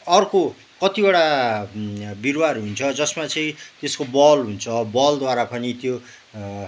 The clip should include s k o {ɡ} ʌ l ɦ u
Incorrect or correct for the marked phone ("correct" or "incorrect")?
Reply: incorrect